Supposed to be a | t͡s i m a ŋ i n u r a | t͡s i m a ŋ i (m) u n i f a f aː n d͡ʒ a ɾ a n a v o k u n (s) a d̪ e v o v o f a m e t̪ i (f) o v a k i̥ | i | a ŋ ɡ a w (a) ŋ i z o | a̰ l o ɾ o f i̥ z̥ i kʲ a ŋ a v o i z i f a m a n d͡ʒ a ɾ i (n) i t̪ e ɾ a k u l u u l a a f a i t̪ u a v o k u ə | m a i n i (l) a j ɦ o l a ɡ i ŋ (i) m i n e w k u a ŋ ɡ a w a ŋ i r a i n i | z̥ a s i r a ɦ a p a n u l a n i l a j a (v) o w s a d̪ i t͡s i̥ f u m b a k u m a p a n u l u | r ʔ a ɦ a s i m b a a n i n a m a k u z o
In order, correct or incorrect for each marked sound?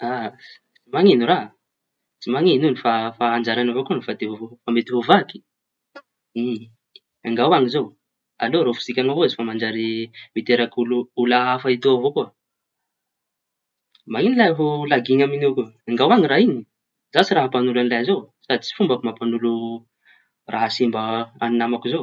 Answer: incorrect: n, incorrect: f, incorrect: v, correct, incorrect: m, correct, incorrect: a, incorrect: z

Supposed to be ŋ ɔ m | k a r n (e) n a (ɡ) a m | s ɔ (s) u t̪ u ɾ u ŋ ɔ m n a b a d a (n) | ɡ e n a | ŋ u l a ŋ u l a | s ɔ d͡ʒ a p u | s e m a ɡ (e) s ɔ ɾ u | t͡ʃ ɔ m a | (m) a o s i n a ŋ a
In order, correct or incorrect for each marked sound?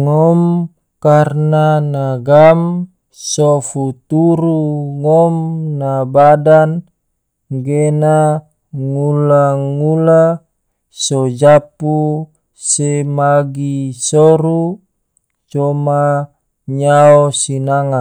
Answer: incorrect: a, correct, incorrect: f, correct, incorrect: i, incorrect: ɲ

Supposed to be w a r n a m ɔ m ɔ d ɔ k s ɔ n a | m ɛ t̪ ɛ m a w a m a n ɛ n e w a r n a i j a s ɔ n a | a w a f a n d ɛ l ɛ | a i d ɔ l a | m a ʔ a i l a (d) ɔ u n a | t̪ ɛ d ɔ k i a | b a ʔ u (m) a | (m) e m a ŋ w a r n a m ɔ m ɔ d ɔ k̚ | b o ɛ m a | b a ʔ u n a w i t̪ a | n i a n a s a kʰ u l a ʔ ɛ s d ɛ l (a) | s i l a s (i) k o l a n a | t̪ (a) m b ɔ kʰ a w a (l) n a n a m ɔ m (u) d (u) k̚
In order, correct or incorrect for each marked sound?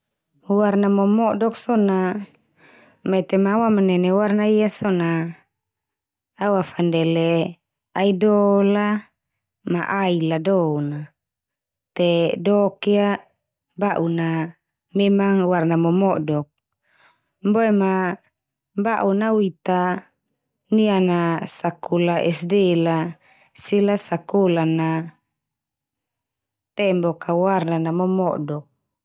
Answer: correct, incorrect: n, correct, correct, incorrect: a, incorrect: ɛ, incorrect: r, incorrect: ɔ, incorrect: ɔ

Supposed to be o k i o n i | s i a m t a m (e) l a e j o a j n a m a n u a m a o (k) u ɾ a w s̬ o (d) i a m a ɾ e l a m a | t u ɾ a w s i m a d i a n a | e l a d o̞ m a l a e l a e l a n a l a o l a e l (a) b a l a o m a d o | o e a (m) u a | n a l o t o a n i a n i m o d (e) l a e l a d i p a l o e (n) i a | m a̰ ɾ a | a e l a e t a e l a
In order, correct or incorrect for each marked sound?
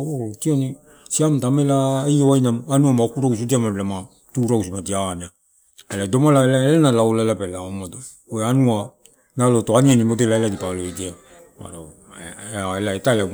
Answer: correct, correct, correct, correct, incorrect: n, correct, incorrect: d

